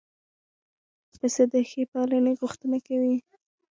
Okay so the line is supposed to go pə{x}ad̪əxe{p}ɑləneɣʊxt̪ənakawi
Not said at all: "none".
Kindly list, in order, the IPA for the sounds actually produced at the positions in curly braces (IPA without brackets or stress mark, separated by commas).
s, p